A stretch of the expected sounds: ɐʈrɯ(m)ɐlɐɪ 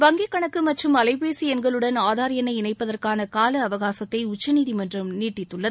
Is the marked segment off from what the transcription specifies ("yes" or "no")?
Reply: no